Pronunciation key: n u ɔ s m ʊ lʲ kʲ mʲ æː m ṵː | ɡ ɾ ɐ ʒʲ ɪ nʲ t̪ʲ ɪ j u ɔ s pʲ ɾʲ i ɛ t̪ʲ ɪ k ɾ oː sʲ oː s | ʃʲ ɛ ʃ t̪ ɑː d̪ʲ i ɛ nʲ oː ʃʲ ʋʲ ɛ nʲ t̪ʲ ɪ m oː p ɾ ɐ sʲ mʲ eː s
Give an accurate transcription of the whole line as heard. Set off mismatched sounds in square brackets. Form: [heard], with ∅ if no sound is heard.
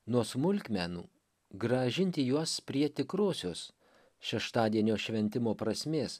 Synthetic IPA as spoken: n u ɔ s m ʊ lʲ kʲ mʲ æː [n] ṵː | ɡ ɾ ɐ ʒʲ ɪ nʲ t̪ʲ ɪ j u ɔ s pʲ ɾʲ i ɛ t̪ʲ ɪ k ɾ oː sʲ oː s | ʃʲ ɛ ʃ t̪ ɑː d̪ʲ i ɛ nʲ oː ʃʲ ʋʲ ɛ nʲ t̪ʲ ɪ m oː p ɾ ɐ sʲ mʲ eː s